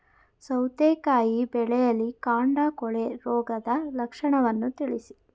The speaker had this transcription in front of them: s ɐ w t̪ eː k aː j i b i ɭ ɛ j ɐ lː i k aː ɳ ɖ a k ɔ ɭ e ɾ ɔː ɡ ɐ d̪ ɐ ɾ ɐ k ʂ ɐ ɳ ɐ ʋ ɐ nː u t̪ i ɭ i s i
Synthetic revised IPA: s ɐ w t̪ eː k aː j i b ɛ ɭ ɛ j ɐ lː i k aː ɳ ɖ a k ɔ ɭ e ɾ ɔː ɡ ɐ d̪ ɐ l ɐ k ʂ ɐ ɳ ɐ ʋ ɐ nː u t̪ i ɭ i s i

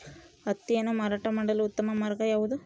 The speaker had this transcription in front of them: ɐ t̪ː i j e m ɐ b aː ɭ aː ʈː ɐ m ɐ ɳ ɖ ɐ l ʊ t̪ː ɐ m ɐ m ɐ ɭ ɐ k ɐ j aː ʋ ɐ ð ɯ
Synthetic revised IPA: ɐ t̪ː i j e n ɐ m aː ɾ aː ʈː ɐ m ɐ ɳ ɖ ɐ l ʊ t̪ː ɐ m ɐ m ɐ ɾ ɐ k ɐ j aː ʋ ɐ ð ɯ

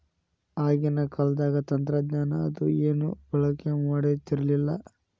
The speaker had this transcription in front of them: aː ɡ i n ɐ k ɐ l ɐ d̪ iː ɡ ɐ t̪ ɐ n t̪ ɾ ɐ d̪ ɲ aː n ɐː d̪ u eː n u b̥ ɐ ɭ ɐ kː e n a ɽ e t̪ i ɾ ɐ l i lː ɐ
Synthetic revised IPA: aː ɡ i n ɐ k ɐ l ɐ d̪ aː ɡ ɐ t̪ ɐ n t̪ ɾ ɐ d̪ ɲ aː n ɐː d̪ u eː n u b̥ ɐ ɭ ɐ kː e m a ɽ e t̪ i ɾ ɐ l i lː ɐ

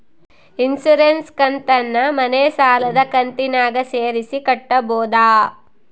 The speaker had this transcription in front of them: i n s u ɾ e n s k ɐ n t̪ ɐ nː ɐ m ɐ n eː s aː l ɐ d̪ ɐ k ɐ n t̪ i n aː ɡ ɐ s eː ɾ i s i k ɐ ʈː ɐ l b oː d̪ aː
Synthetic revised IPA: i n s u ɾ e n s k ɐ n t̪ ɐ nː ɐ m ɐ n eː s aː l ɐ d̪ ɐ k ɐ n t̪ i n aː ɡ ɐ s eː ɾ i s i k ɐ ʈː ɐ b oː d̪ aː

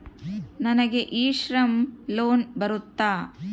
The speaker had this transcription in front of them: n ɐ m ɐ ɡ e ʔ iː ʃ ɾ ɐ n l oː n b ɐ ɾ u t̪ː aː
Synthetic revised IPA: n ɐ n ɐ ɡ e ʔ iː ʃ ɾ ɐ m l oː n b ɐ ɾ u t̪ː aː

